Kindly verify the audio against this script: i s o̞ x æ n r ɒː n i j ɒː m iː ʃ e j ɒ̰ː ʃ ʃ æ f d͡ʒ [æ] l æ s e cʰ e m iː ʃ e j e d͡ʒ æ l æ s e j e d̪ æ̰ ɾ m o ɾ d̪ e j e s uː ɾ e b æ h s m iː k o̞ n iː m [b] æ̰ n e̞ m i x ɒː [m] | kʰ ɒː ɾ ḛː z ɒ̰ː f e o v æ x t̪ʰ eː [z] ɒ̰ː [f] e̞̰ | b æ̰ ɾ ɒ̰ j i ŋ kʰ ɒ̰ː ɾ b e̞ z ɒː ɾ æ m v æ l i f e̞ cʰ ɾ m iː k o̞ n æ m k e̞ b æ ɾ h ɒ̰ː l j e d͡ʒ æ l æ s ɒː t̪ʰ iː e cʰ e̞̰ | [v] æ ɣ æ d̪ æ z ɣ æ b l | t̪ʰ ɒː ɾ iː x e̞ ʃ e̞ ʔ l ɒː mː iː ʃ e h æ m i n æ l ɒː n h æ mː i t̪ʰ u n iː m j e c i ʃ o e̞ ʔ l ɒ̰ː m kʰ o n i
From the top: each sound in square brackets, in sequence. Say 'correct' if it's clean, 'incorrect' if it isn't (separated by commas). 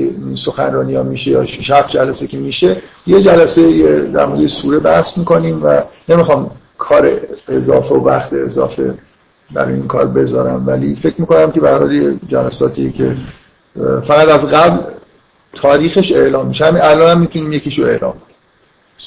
correct, incorrect, correct, correct, correct, incorrect